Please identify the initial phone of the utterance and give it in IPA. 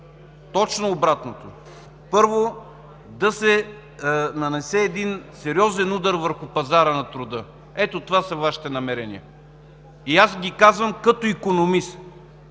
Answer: t̪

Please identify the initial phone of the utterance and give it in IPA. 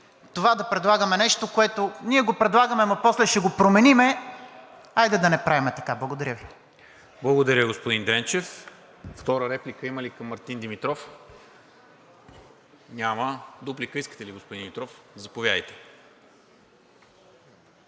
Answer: t̪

